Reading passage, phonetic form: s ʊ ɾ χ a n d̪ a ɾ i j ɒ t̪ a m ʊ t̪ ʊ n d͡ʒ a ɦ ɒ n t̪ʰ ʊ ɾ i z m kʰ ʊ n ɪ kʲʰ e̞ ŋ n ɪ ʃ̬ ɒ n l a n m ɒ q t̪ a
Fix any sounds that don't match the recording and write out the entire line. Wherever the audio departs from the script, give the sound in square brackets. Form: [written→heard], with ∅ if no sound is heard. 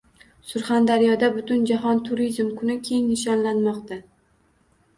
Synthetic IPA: s ʊ ɾ χ a n d̪ a ɾ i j ɒ [t̪→d̪] a [m→b] ʊ t̪ ʊ n d͡ʒ a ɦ ɒ n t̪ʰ ʊ ɾ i z m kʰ ʊ n ɪ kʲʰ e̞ ŋ n ɪ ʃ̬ ɒ n l a n m ɒ q t̪ a